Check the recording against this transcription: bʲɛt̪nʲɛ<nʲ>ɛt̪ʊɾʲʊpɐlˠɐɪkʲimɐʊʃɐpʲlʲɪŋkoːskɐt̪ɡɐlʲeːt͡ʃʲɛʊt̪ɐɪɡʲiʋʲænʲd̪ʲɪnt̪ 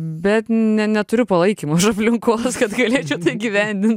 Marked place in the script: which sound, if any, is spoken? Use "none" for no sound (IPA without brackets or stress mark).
nʲ